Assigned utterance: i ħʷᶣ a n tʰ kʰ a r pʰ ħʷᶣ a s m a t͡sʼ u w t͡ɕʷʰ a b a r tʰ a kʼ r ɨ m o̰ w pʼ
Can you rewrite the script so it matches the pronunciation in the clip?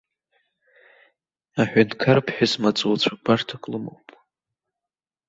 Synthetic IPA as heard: a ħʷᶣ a n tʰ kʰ a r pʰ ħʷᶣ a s m a t͡sʼ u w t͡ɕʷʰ a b a r tʰ a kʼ l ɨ m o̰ w pʼ